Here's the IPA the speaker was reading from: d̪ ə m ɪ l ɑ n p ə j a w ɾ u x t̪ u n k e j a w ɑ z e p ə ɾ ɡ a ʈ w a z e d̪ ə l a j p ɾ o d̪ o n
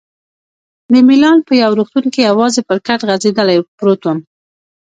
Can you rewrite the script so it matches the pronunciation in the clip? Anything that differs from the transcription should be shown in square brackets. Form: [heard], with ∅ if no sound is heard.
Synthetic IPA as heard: d̪ ə m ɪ l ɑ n p ə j a w ɾ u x t̪ u n k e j a w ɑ z e p ə ɾ [k] a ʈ [ɣ] a z e d̪ ə l a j p ɾ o [t̪] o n